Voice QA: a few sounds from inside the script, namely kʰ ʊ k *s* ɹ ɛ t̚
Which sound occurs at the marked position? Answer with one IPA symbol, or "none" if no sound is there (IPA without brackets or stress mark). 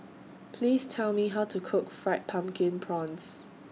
f